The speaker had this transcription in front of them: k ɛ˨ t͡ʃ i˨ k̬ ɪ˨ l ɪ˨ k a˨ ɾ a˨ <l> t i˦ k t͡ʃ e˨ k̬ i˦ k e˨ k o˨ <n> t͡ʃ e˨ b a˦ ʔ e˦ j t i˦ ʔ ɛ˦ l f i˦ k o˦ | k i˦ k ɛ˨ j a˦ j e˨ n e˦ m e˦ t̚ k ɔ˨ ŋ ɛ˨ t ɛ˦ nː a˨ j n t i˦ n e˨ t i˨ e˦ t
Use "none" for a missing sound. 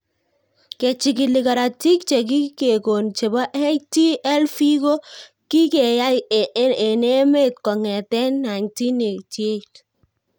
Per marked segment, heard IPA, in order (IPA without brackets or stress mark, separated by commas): none, n